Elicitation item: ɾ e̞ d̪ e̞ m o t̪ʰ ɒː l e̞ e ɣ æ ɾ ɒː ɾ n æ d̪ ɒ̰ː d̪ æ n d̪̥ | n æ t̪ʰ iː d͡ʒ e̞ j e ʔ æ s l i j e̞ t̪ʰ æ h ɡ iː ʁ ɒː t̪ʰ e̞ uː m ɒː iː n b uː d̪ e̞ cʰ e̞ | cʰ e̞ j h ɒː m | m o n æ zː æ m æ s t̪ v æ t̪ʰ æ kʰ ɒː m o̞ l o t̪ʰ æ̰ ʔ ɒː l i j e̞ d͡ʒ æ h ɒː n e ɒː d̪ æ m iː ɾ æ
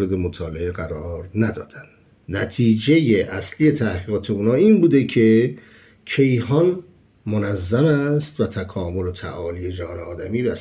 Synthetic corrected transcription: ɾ e̞ d̪ e̞ m o t̪ʰ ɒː l e̞ e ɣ æ ɾ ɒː ɾ n æ d̪ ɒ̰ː d̪ æ n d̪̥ | n æ t̪ʰ iː d͡ʒ e̞ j e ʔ æ s l i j e̞ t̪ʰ æ h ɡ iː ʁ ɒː t̪ʰ e̞ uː n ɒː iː n b uː d̪ e̞ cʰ e̞ | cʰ e̞ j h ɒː n | m o n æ zː æ m æ s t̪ v æ t̪ʰ æ kʰ ɒː m o̞ l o t̪ʰ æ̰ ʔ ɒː l i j e̞ d͡ʒ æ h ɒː n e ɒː d̪ æ m iː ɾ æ